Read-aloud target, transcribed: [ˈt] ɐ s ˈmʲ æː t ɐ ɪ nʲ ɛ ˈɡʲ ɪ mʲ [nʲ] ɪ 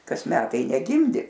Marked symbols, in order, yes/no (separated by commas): no, no